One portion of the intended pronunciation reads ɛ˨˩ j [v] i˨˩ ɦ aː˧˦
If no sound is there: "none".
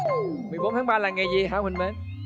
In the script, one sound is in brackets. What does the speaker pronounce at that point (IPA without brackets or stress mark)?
z